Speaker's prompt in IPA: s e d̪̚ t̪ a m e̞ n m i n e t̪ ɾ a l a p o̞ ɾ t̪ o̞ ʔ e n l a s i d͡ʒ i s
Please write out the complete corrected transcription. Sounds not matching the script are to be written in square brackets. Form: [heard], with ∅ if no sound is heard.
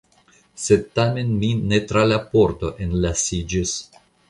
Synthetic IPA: s e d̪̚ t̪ a m e̞ n m i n e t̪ ɾ a l a p o̞ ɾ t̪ o̞ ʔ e n l a s i d͡ʒ i s